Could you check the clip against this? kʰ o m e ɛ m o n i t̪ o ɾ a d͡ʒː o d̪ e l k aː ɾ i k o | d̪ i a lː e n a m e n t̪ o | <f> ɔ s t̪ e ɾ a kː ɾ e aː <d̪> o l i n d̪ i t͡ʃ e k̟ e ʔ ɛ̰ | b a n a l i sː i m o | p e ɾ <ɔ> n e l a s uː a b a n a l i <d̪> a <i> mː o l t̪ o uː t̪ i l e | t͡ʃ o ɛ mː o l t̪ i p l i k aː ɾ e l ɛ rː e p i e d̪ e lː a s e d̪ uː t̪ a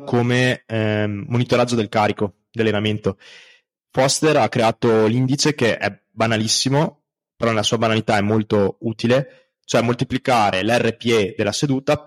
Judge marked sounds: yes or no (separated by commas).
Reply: yes, no, yes, no, no